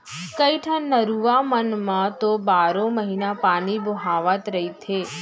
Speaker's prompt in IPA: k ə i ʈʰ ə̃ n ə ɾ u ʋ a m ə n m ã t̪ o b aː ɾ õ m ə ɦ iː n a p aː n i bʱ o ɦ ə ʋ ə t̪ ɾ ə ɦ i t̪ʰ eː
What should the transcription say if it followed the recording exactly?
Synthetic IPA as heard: k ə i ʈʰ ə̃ n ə ɾ u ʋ a m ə n m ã t̪ o b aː ɾ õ m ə ɦ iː n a p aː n i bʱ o ɦ a ʋ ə t̪ ɾ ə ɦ i t̪ʰ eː